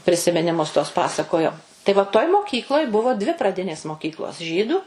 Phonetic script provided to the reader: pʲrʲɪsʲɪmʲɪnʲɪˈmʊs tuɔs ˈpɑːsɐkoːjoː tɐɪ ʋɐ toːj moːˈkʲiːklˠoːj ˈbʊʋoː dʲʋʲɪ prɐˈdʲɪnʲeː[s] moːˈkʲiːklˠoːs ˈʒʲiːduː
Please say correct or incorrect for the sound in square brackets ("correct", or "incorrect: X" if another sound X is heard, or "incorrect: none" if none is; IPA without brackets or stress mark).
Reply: correct